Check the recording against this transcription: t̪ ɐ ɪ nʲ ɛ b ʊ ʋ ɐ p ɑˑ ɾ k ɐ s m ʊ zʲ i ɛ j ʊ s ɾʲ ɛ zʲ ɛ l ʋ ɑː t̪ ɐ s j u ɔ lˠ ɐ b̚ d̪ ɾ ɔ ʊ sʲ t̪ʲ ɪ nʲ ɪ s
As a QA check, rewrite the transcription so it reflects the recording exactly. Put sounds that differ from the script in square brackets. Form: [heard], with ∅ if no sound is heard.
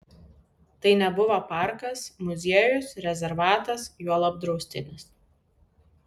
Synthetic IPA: t̪ ɐ ɪ nʲ ɛ b ʊ ʋ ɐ p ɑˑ ɾ k ɐ s m ʊ zʲ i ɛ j ʊ s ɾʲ ɛ zʲ ɛ [ɾ] ʋ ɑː t̪ ɐ s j u ɔ lˠ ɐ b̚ d̪ ɾ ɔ ʊ sʲ t̪ʲ ɪ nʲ ɪ s